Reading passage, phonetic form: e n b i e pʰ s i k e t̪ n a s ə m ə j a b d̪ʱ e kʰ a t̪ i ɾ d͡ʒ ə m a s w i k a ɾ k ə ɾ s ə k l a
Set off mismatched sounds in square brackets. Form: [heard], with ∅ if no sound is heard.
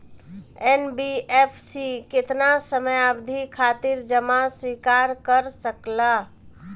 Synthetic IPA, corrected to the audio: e n b i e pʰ s i k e t̪ n a s ə m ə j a b d̪ʱ [i] kʰ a t̪ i ɾ d͡ʒ ə m a s w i k a ɾ k ə ɾ s ə k l a